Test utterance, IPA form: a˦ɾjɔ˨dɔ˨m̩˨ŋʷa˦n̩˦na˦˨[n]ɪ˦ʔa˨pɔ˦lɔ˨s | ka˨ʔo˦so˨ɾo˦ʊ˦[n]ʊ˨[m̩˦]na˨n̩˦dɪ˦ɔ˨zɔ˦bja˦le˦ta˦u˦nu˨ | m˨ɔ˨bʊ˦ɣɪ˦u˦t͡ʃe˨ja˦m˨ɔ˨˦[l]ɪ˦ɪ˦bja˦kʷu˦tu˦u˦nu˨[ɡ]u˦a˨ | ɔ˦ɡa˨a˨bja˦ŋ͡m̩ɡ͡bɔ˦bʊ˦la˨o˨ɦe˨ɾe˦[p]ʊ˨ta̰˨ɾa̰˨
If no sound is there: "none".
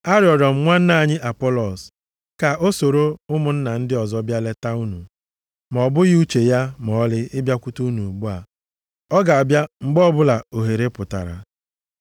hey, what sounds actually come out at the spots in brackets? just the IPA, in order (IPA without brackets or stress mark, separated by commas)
ɲ, m, n̩˦, l, ɡ͡b, p